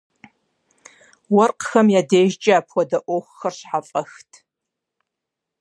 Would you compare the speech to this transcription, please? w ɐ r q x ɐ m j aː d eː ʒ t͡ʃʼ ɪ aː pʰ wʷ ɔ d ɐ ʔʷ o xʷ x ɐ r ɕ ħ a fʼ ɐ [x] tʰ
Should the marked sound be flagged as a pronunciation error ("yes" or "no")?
no